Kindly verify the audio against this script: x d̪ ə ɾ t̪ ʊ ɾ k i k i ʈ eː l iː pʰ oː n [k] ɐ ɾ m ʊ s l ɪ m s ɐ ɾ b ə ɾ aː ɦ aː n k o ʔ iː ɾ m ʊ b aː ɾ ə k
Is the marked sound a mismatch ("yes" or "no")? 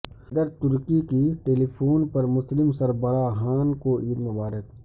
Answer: yes